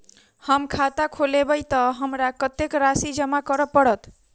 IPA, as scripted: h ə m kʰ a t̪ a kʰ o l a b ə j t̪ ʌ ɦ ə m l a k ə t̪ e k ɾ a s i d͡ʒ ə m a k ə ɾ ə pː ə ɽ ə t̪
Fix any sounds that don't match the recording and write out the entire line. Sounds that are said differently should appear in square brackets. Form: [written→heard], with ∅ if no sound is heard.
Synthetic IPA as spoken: h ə m kʰ a t̪ a kʰ o l [a→e] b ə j t̪ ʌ ɦ ə m [l→ɾ] a k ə t̪ e k ɾ a s i d͡ʒ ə m a k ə ɾ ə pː ə ɽ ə t̪